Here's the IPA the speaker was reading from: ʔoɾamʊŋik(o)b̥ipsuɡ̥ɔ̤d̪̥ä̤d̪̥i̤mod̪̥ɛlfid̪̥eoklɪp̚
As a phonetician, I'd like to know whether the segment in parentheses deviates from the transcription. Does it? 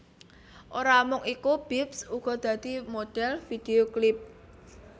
yes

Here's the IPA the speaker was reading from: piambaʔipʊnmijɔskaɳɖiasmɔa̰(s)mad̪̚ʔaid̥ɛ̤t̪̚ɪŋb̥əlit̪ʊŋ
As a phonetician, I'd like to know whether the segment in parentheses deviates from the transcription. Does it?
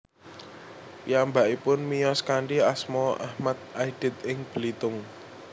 yes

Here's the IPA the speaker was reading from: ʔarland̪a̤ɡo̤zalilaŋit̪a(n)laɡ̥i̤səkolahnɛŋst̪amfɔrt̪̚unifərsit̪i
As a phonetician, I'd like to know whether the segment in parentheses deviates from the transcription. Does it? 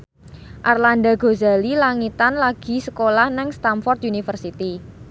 no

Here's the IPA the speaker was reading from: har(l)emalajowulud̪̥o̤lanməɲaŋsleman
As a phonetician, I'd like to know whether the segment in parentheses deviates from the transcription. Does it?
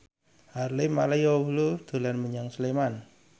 no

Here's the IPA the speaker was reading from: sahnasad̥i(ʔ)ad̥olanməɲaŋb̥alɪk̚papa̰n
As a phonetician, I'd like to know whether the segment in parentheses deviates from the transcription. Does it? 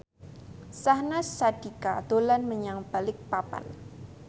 yes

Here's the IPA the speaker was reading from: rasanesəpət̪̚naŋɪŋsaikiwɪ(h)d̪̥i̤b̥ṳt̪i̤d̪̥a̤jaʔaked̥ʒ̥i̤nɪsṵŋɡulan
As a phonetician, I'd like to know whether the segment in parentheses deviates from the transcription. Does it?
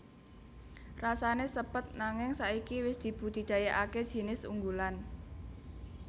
yes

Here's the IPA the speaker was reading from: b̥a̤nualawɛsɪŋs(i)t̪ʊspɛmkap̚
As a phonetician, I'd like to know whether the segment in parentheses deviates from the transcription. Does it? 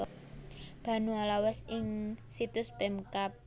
no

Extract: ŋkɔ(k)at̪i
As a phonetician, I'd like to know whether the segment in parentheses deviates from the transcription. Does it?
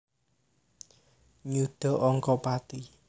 yes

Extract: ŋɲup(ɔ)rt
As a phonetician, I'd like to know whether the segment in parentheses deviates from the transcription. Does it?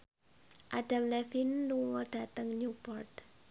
no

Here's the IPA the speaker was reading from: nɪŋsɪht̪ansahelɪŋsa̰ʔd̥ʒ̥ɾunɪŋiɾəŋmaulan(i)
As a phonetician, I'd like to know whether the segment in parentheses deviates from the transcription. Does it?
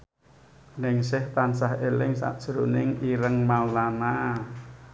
yes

